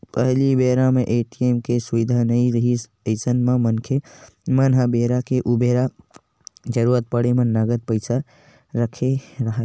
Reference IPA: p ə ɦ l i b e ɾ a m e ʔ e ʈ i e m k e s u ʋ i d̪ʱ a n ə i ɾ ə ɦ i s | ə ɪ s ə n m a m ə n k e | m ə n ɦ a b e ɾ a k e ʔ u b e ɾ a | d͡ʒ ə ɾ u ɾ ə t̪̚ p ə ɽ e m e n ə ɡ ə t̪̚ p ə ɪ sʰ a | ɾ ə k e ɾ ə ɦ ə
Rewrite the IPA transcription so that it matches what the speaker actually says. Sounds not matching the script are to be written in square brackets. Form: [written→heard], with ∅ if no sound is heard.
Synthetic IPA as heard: p ə ɦ l i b e ɾ a m e ʔ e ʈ i e m k e s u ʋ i d̪ʱ a n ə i ɾ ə ɦ i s | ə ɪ s ə n m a m ə n [k→kʰ] e | m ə n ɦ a b e ɾ a k e ʔ u b e ɾ a | d͡ʒ ə ɾ u ɾ ə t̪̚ p ə ɽ e m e n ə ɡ ə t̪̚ p ə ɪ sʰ a | ɾ ə [k→kʰ] e ɾ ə ɦ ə